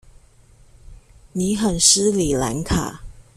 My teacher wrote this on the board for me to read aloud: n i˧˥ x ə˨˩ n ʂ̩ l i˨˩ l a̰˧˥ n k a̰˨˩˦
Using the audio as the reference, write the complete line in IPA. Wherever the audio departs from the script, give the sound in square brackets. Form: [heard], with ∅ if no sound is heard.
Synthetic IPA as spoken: n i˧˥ x ə˨˩ n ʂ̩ l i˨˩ l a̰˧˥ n [kʰ] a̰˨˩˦